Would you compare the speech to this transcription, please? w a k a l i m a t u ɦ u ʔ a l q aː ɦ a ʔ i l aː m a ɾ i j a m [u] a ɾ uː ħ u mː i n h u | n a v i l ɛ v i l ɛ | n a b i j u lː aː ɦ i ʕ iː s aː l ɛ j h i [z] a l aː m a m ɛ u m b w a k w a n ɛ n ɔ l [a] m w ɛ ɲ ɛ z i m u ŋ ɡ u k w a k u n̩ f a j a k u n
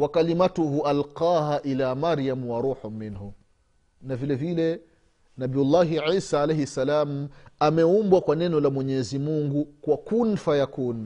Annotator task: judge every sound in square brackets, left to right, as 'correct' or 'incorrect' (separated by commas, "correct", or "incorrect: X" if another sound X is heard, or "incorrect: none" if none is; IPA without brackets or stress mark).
incorrect: w, incorrect: s, correct